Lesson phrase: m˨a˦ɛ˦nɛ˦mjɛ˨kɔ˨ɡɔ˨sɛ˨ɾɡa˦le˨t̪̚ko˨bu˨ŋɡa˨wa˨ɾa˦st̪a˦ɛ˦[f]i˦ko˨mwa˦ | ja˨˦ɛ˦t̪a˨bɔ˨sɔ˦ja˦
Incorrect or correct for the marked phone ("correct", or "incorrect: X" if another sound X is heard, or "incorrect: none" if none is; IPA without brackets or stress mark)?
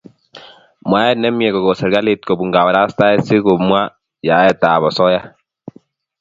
incorrect: s